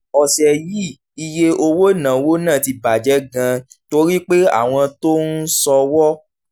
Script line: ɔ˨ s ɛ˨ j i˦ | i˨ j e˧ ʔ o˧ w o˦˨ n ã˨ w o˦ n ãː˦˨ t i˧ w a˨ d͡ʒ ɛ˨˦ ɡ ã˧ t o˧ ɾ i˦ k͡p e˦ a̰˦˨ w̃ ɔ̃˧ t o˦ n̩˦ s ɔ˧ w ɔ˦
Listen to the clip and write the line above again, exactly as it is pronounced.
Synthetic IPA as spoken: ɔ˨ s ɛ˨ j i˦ | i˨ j e˧ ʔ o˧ w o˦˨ n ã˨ w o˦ n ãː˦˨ t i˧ b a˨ d͡ʒ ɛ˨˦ ɡ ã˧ t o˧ ɾ i˦ k͡p e˦ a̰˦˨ w̃ ɔ̃˧ t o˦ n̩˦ s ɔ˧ w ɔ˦